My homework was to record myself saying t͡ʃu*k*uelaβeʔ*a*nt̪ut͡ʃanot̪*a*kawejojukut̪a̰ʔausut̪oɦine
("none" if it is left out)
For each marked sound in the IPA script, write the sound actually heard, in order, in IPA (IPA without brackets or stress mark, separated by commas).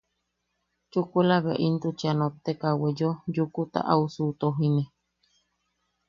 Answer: k, i, e